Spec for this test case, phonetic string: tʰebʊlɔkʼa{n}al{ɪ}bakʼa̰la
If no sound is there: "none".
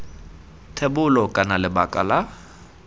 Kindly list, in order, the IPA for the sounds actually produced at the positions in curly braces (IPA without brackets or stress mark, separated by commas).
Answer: n, ɪ